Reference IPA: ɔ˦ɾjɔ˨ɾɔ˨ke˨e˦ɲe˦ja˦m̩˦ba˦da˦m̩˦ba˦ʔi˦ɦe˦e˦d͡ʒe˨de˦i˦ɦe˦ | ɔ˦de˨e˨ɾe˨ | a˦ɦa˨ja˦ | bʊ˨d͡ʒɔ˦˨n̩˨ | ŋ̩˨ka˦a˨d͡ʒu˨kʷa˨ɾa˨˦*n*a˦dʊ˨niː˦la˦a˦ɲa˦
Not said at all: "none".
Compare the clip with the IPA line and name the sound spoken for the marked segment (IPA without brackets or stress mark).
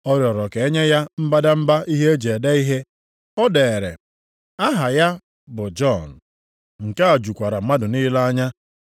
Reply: m